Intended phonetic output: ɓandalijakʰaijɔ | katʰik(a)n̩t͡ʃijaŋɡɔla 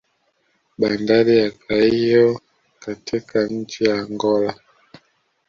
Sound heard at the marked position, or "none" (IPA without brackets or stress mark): a